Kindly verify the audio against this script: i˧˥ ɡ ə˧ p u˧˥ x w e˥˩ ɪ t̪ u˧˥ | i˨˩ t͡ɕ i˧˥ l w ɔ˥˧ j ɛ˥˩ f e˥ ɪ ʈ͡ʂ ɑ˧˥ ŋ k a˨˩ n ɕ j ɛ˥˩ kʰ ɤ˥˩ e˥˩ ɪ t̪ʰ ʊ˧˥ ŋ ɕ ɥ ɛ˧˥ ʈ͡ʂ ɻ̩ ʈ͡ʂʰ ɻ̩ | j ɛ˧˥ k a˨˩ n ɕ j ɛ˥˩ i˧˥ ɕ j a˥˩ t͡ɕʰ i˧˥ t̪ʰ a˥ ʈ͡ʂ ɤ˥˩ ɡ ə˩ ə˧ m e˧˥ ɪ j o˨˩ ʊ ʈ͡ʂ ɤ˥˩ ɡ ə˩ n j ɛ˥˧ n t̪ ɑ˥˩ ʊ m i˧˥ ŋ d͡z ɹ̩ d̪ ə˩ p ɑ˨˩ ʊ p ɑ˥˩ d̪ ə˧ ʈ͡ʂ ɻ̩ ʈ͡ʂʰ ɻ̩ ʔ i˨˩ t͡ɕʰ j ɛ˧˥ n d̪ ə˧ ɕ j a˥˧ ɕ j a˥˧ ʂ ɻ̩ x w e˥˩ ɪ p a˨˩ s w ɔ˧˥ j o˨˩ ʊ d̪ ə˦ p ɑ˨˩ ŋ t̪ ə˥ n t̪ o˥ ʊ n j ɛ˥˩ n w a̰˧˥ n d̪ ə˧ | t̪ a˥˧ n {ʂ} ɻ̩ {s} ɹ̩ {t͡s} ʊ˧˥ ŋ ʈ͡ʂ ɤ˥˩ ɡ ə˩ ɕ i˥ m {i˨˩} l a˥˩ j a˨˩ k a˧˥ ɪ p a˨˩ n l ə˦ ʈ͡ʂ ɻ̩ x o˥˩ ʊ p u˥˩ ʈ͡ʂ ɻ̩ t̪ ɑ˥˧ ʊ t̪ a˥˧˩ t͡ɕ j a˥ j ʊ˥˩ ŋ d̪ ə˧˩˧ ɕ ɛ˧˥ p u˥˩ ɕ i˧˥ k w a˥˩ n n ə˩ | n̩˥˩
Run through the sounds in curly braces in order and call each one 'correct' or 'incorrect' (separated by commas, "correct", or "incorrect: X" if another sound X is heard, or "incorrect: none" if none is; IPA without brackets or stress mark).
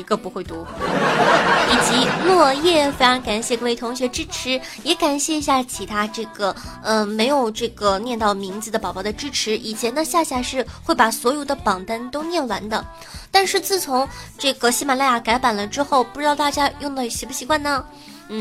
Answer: correct, incorrect: t͡s, incorrect: t͡sʰ, incorrect: a˨˩